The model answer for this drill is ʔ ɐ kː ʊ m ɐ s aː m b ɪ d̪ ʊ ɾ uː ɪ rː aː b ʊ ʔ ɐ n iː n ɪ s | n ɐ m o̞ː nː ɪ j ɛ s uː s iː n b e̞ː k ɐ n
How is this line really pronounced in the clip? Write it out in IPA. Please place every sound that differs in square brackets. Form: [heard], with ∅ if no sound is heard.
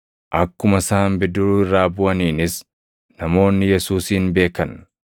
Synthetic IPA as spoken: ʔ ɐ kː ʊ m ɐ s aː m b ɪ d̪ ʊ ɾ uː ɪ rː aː b ʊ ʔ ɐ n iː n ɪ s | n ɐ m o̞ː nː ɪ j ɛ s uː s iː n b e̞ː k ɐ n